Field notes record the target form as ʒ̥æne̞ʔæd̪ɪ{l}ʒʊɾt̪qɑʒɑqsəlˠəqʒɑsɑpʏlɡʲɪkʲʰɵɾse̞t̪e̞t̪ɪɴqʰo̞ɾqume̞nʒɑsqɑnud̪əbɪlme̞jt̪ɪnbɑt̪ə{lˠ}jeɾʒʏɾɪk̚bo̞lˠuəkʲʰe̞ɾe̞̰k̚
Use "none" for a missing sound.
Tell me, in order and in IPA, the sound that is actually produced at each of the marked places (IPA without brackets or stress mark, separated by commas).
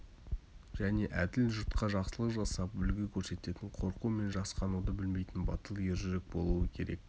l, lˠ